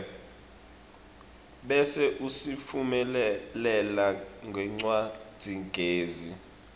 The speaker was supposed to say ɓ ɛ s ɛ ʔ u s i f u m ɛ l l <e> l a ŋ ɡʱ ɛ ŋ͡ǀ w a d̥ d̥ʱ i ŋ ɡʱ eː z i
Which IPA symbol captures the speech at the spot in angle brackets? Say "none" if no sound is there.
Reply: ɛ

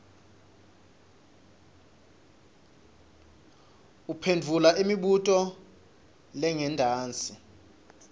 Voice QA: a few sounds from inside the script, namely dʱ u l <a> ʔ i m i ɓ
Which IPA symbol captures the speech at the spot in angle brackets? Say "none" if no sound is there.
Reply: a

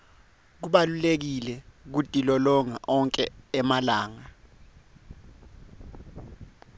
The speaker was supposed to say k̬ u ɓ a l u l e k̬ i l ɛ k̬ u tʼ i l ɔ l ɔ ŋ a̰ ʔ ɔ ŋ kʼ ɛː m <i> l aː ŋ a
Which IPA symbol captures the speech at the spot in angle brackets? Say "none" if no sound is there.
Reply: a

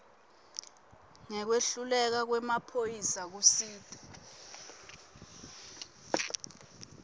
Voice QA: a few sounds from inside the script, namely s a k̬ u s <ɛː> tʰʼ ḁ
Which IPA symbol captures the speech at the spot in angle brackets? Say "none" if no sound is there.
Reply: iː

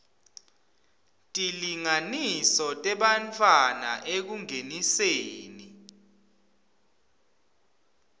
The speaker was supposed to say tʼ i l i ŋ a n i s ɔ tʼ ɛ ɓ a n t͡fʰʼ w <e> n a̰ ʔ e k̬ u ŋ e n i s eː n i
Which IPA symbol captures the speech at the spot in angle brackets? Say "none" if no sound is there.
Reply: a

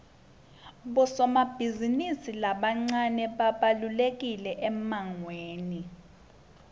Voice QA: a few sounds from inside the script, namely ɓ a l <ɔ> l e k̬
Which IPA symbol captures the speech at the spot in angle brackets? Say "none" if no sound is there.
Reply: u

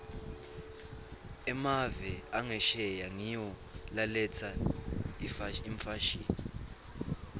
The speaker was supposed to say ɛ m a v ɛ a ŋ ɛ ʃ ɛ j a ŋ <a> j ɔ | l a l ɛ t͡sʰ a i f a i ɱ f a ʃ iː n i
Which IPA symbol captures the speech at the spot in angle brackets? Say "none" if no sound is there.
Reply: i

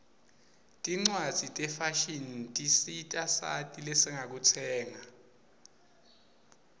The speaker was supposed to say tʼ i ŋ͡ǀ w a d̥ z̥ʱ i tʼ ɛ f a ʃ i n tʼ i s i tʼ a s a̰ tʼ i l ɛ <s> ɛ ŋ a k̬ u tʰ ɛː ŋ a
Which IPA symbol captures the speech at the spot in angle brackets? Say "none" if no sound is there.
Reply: s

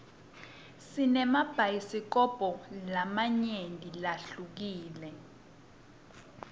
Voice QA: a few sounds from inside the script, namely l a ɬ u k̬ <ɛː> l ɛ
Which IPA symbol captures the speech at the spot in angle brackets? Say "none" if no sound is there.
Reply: iː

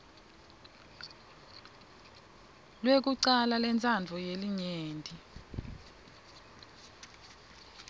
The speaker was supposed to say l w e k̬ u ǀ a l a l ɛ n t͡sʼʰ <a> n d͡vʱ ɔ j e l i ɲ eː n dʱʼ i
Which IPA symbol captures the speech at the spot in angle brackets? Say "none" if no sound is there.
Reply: a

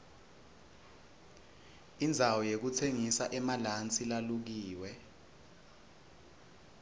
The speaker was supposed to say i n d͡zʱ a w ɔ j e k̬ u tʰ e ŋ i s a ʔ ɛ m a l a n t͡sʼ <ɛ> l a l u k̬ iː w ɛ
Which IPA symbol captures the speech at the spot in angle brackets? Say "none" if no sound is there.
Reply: i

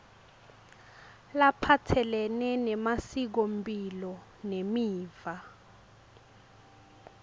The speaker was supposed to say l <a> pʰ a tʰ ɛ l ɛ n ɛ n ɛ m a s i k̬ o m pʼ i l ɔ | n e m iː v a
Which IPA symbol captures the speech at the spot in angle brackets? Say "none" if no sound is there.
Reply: a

